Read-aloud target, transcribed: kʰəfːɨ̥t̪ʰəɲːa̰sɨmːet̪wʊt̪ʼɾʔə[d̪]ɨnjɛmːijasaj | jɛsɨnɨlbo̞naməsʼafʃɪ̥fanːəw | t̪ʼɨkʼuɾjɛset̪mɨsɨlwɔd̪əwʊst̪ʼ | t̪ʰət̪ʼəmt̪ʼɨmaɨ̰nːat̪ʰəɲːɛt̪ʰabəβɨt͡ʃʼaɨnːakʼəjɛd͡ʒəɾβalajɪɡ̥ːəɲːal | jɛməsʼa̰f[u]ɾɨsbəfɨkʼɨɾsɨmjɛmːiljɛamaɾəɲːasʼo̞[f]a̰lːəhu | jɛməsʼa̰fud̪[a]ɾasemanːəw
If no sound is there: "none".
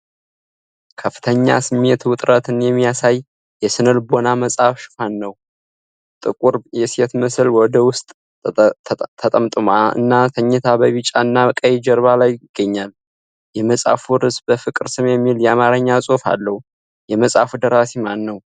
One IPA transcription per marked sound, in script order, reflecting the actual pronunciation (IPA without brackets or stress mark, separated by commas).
t̪, u, f, ə